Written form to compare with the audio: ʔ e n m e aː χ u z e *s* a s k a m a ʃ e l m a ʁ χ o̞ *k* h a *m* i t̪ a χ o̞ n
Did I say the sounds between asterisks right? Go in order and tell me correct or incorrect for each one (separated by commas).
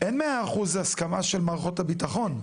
incorrect, incorrect, incorrect